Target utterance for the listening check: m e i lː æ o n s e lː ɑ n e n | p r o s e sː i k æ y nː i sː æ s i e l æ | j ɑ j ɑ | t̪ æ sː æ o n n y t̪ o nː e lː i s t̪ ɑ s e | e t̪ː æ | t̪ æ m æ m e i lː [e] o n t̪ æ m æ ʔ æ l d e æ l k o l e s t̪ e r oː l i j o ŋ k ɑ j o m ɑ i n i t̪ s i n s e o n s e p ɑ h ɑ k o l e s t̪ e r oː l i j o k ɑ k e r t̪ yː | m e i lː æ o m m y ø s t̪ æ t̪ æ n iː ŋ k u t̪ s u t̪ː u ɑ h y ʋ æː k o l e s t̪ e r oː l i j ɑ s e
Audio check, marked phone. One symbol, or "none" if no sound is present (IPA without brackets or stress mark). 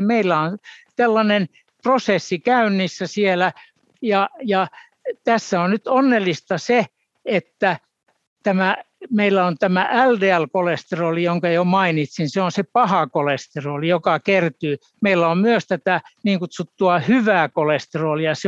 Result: æ